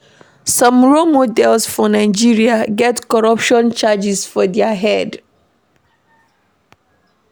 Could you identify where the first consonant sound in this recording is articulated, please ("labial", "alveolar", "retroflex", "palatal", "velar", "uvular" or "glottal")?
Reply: alveolar